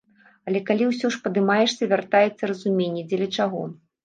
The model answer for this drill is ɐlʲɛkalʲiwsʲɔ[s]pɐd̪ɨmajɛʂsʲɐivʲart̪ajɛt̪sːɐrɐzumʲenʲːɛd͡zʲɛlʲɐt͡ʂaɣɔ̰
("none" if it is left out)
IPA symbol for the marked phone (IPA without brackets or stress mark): ʂ